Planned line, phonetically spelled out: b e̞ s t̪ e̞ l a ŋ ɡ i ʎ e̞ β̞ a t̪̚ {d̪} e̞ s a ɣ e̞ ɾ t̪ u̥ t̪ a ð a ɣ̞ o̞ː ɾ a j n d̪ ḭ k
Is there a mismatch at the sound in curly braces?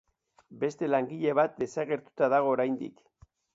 no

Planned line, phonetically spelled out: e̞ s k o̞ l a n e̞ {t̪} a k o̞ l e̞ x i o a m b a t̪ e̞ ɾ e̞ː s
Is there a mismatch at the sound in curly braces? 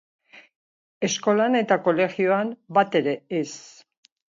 no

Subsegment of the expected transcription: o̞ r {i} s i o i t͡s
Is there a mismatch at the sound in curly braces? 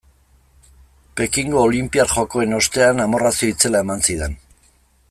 yes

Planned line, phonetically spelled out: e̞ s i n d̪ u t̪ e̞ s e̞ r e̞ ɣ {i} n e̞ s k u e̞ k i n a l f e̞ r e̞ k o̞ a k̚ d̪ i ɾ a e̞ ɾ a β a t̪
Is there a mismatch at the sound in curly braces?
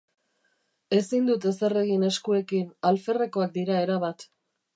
no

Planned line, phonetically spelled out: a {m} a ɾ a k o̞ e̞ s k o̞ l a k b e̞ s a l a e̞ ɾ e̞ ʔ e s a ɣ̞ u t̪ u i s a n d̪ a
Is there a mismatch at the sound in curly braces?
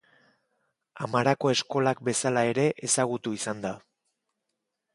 no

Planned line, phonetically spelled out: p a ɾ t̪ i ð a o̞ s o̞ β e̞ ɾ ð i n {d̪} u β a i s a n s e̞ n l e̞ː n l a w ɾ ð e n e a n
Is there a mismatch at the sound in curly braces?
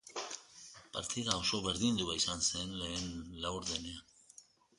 no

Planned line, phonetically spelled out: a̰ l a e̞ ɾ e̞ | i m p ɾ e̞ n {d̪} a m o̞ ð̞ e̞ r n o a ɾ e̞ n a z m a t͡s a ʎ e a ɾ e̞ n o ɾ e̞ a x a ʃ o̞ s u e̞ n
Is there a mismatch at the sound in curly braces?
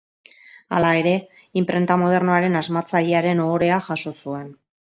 yes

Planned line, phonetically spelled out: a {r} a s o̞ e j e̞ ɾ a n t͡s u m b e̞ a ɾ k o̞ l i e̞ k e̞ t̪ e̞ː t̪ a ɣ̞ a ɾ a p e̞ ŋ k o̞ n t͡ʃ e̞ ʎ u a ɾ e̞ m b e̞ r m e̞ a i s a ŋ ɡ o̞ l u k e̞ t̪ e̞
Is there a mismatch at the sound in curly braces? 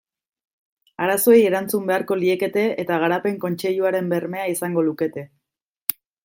yes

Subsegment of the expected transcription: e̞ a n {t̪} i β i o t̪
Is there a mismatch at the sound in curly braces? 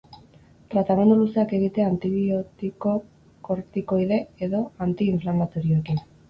no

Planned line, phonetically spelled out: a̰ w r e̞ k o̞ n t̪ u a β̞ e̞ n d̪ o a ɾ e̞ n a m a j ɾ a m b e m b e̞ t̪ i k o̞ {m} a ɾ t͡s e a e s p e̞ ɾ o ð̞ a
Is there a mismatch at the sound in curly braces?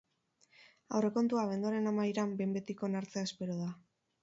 yes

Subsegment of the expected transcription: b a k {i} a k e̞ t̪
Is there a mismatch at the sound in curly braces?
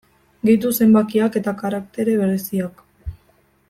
no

